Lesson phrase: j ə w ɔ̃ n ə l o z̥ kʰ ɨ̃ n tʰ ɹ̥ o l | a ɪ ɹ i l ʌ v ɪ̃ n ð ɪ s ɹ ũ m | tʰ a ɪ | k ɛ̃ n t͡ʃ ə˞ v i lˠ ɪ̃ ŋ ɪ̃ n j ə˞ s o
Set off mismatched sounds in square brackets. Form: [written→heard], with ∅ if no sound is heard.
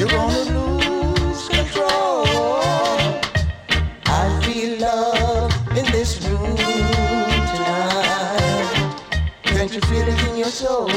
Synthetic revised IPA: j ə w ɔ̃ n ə l [o→u] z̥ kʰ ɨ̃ n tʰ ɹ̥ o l | a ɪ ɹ i l ʌ v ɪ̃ n ð ɪ s ɹ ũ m | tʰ a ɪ | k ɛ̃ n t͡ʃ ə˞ [v→f] i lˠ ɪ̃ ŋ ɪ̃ n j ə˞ s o